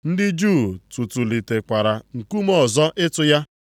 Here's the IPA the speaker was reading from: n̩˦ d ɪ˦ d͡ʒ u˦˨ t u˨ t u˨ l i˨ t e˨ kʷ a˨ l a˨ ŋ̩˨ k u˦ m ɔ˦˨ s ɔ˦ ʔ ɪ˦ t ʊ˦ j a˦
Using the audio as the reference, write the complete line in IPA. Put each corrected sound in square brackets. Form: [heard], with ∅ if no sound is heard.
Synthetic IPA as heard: n̩˦ d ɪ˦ d͡ʒ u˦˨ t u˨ t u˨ l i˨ t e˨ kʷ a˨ [ɾ] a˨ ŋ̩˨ k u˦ m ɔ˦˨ [z] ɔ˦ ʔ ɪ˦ t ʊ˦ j a˦